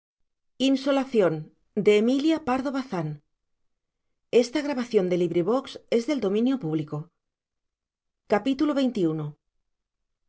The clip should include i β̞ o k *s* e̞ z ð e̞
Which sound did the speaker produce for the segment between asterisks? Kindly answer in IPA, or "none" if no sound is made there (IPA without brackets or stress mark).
s